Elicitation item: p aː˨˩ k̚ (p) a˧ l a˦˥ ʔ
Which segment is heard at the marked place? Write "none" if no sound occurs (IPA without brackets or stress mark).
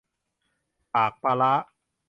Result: p